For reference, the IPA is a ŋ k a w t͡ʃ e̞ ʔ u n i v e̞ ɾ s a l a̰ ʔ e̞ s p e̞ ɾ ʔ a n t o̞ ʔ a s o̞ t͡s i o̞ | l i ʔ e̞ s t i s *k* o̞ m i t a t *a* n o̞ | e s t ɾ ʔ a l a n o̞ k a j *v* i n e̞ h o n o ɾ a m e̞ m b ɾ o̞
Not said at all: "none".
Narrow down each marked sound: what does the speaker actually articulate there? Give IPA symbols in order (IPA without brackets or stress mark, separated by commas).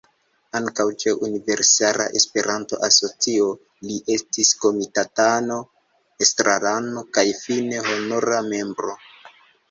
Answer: k, a, f